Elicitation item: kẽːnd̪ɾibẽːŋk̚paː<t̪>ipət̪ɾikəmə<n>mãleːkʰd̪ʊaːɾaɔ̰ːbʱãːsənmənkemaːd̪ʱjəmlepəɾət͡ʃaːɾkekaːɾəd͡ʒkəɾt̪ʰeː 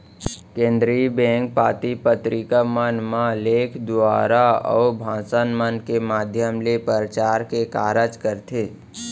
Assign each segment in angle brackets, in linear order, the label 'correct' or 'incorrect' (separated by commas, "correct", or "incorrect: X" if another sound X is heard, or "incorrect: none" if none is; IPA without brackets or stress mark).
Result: correct, correct